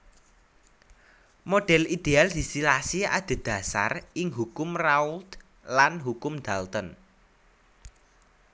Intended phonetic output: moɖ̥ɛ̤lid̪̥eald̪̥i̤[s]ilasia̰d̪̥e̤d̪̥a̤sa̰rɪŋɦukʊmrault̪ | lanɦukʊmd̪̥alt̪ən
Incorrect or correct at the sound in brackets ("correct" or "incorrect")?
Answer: correct